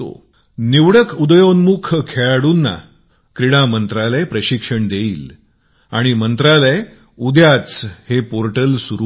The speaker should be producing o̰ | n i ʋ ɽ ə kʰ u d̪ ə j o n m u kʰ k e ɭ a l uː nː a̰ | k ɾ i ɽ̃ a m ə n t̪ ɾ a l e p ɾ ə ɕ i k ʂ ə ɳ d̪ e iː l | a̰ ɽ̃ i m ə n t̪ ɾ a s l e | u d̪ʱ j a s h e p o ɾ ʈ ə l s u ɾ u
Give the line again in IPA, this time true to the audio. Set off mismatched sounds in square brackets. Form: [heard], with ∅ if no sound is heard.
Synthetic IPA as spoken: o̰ | n i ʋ ɽ ə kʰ u d̪ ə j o n m u kʰ [kʰ] e ɭ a [ɽ] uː nː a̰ | k ɾ i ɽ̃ a m ə n t̪ ɾ a l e p ɾ ə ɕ i k ʂ ə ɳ d̪ e iː l | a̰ ɽ̃ i m ə n t̪ ɾ a [∅] l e | u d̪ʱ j a [t͡s] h e p o ɾ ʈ ə l s u ɾ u

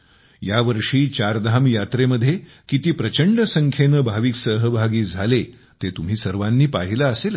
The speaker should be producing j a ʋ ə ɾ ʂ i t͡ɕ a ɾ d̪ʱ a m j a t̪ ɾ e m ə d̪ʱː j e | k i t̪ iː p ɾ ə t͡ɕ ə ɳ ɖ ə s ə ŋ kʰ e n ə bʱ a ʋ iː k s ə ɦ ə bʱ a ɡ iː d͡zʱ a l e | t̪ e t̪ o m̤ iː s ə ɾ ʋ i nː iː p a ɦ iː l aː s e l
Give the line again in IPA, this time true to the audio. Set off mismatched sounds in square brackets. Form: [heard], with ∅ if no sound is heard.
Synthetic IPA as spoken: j a ʋ ə ɾ ʂ [iː] t͡ɕ a ɾ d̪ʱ a m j a t̪ ɾ e m ə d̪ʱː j e | k i t̪ iː p ɾ ə t͡ɕ ə ɳ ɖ ə s ə ŋ kʰ e n ə bʱ a ʋ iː k s ə ɦ ə bʱ a ɡ iː d͡zʱ a l e | t̪ e t̪ [u] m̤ iː s ə ɾ ʋ [a] nː iː p a ɦ [i] l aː s e l

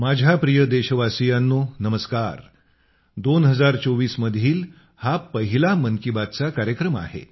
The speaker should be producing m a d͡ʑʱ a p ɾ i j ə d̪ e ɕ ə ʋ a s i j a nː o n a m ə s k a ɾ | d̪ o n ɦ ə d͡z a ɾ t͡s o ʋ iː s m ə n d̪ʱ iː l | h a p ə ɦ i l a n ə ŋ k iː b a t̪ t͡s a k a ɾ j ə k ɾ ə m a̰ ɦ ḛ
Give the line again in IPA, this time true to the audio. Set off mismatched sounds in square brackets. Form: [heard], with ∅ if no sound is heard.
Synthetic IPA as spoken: m a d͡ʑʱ a p ɾ i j ə d̪ e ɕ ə ʋ a s i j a nː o n [ə] m ə s k a ɾ | d̪ o n ɦ ə d͡z a ɾ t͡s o ʋ iː s m ə [∅] d̪ʱ iː l | h a p ə ɦ i l a [m] ə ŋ k [i] b a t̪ t͡s a k a ɾ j ə k ɾ ə m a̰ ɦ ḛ

